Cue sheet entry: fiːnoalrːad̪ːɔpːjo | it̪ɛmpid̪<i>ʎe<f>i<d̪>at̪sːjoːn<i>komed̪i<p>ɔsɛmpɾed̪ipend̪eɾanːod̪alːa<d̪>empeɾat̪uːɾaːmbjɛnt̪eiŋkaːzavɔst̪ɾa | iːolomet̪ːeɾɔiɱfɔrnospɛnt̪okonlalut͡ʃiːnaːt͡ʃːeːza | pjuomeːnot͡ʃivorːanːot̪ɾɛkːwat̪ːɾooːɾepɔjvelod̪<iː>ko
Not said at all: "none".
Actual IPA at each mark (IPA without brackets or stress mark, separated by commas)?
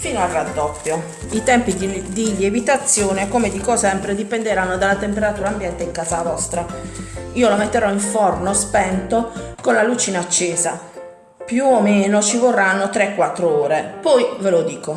i, v, t̪, e, k, t̪, iː